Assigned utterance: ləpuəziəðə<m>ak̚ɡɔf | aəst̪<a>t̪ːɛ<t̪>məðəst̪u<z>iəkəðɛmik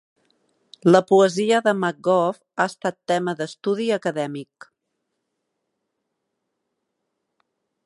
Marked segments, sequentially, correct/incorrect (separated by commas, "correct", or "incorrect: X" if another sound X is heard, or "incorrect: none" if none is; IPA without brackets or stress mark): correct, correct, incorrect: none, incorrect: ð